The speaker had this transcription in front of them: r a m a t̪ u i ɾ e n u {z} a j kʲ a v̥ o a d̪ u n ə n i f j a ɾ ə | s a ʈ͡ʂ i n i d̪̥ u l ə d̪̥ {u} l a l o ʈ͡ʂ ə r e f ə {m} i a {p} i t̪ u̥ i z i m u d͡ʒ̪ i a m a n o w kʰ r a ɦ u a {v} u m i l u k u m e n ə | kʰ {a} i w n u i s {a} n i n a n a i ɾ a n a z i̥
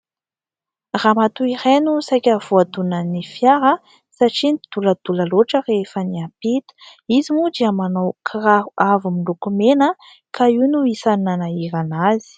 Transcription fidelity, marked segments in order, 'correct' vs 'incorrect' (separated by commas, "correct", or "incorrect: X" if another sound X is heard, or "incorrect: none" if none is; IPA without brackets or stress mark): incorrect: s, correct, incorrect: n, correct, correct, correct, correct